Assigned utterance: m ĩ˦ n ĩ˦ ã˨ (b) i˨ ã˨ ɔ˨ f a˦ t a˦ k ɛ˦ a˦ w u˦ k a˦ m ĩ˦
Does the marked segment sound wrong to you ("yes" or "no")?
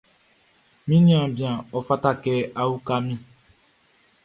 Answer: no